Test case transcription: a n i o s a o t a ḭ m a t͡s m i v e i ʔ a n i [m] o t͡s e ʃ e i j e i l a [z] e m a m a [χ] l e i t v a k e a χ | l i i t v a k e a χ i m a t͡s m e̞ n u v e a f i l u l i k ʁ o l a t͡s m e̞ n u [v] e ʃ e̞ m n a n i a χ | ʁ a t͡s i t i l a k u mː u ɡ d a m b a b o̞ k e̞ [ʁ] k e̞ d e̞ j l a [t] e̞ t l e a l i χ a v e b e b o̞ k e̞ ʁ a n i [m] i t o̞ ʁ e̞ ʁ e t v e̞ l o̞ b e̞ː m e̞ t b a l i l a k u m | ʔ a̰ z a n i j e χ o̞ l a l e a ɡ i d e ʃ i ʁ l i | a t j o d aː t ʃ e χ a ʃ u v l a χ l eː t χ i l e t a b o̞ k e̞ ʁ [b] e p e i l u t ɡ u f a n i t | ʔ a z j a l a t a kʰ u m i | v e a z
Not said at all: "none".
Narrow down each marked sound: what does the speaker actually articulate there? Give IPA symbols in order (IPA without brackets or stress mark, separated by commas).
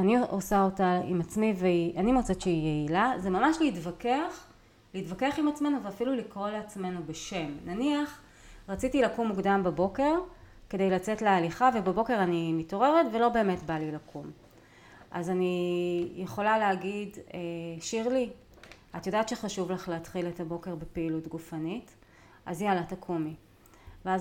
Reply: m, z, ʃ, b, ʁ, t͡s, m, b